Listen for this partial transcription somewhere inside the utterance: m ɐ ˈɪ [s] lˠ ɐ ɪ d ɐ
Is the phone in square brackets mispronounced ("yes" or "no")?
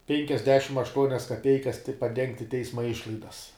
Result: yes